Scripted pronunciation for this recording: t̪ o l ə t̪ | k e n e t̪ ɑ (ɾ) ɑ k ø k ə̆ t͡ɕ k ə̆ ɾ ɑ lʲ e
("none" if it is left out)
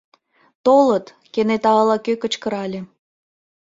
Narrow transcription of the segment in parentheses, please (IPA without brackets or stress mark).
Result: l